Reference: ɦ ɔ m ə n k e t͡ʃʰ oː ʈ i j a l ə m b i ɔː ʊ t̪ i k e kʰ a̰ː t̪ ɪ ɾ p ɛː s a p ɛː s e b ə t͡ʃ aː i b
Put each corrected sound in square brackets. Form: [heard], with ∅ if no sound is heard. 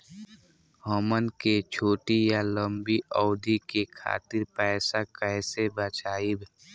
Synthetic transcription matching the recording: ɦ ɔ m ə n k e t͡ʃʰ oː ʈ i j a l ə m b i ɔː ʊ [d̪] i k e kʰ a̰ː t̪ ɪ ɾ p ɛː s a [k] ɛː s e b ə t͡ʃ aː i b